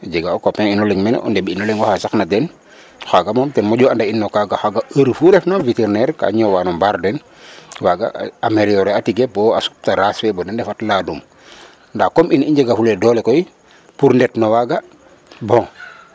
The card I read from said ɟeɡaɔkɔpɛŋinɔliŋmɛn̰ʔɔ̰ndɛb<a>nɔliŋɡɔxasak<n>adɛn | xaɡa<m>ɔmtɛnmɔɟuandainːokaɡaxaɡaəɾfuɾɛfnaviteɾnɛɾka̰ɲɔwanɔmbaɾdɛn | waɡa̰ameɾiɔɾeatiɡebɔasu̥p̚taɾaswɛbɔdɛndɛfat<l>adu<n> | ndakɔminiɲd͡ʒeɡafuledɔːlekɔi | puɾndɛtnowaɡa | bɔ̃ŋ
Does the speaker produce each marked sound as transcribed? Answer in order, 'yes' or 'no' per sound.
no, yes, yes, yes, no

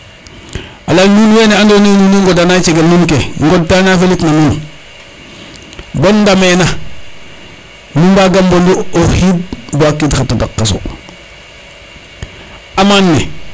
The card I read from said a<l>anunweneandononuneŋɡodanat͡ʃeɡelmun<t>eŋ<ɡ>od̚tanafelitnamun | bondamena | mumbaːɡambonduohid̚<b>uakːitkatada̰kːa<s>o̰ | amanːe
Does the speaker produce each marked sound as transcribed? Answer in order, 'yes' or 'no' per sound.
yes, no, yes, yes, yes

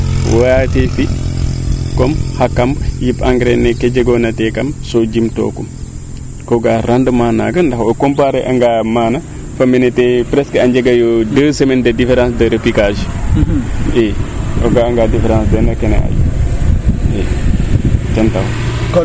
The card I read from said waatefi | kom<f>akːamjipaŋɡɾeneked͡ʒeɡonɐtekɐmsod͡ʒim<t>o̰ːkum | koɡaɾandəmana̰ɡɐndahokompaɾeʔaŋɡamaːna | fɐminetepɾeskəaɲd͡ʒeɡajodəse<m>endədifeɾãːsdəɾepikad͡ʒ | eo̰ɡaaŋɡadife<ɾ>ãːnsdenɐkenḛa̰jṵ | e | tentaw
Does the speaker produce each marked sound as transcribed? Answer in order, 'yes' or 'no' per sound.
no, yes, yes, yes

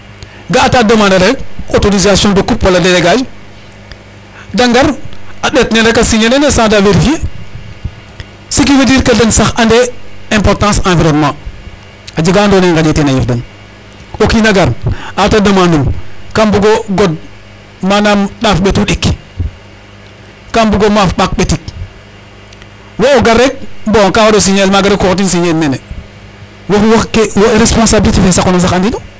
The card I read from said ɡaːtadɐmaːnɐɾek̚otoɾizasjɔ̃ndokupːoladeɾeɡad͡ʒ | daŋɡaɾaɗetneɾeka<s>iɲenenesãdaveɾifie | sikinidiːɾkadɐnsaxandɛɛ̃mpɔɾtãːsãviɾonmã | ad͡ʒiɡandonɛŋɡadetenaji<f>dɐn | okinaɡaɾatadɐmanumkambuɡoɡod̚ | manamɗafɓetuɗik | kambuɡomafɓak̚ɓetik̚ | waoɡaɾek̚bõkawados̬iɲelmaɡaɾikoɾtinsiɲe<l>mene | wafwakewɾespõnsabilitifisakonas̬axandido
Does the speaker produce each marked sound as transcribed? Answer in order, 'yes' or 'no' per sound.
yes, yes, yes

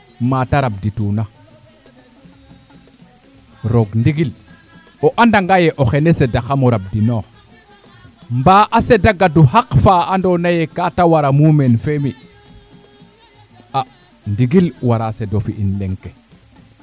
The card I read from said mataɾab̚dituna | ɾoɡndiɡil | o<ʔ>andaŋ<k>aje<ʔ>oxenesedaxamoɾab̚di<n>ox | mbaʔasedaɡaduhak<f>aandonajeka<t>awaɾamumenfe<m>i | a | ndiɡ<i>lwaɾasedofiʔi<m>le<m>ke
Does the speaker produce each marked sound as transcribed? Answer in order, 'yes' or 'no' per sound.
yes, no, yes, yes, yes, yes, yes, yes, no, no

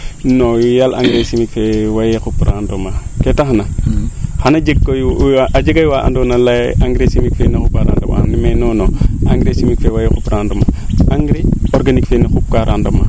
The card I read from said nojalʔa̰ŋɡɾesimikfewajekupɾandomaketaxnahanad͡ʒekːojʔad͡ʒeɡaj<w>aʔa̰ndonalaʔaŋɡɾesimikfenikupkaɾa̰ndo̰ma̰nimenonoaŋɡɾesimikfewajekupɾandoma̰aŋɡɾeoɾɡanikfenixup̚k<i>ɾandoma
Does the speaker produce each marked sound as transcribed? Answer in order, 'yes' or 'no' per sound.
yes, no

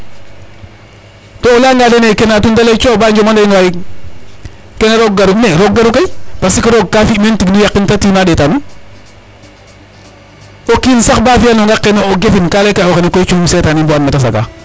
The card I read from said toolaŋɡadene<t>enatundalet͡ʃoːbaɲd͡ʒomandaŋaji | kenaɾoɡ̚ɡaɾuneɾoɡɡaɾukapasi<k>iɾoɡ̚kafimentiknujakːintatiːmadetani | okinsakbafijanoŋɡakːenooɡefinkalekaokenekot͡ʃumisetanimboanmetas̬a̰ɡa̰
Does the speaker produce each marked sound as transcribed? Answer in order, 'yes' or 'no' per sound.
no, yes

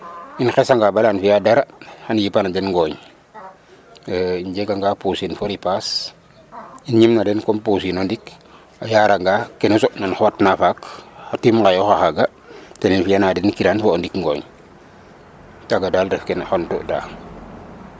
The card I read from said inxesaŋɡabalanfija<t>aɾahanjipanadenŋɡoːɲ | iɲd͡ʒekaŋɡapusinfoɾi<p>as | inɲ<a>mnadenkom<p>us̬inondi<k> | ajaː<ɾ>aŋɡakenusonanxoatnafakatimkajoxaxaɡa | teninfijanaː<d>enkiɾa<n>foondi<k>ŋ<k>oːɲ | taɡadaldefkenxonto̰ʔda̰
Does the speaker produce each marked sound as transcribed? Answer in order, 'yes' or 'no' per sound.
no, yes, no, yes, yes, yes, yes, yes, yes, no

